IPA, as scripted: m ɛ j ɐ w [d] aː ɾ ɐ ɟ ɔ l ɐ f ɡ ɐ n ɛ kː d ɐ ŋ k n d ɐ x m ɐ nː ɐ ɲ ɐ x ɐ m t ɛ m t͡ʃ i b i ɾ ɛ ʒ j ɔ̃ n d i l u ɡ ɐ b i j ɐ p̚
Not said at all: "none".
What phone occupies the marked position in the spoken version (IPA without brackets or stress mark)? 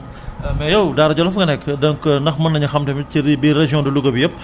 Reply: d